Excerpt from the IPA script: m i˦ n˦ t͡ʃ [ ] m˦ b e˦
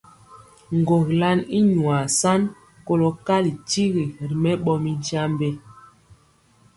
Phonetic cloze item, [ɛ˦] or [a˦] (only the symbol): a˦